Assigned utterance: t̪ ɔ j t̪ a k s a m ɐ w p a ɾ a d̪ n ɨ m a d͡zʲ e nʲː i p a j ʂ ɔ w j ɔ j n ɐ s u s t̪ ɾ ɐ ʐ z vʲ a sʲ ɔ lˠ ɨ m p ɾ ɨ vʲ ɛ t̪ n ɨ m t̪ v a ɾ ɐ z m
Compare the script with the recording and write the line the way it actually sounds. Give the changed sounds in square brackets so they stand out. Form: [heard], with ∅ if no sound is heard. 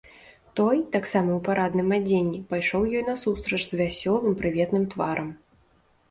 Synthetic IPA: t̪ ɔ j t̪ a k s a m ɐ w p a ɾ a d̪ n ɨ m a d͡zʲ e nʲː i p a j ʂ ɔ w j ɔ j n ɐ s u s t̪ ɾ ɐ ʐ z vʲ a sʲ ɔ lˠ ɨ m p ɾ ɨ vʲ ɛ t̪ n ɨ m t̪ v a ɾ ɐ [∅] m